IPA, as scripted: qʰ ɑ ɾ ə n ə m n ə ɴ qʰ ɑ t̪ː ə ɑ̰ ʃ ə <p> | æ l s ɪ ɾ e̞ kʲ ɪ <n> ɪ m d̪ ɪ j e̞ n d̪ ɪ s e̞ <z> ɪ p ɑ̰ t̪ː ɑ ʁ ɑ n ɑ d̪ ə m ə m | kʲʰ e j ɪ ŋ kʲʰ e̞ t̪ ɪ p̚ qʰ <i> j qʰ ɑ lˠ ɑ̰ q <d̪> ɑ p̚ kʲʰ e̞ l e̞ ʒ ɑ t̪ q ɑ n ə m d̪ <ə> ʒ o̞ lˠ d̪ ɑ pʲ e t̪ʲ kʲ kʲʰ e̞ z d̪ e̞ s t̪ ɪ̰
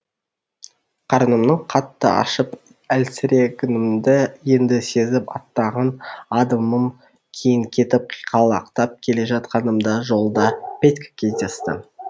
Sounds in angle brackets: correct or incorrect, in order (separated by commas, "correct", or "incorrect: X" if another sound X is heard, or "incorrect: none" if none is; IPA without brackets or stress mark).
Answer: correct, correct, correct, correct, incorrect: t̪, incorrect: ɑ